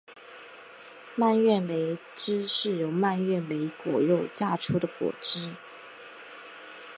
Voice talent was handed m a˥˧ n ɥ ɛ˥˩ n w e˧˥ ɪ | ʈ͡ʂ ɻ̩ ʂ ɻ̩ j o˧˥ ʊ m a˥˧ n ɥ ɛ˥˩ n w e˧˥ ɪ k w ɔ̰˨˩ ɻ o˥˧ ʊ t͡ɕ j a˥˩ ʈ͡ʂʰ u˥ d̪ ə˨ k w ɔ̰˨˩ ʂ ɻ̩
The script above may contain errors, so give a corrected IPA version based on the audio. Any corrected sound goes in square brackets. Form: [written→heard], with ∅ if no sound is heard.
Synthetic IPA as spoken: m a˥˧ n ɥ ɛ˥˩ n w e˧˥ ɪ | ʈ͡ʂ ɻ̩ ʂ ɻ̩ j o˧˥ ʊ m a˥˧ n ɥ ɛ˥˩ n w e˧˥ ɪ k w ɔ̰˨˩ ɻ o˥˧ ʊ t͡ɕ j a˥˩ ʈ͡ʂʰ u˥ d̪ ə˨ k w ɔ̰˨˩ [ʂ→ʈ͡ʂ] ɻ̩